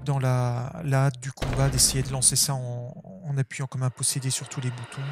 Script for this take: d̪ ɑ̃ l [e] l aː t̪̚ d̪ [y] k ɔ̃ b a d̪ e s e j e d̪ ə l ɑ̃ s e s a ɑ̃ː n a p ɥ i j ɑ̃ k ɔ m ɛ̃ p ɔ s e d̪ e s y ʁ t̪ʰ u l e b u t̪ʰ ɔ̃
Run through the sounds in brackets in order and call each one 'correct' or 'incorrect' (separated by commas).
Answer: incorrect, correct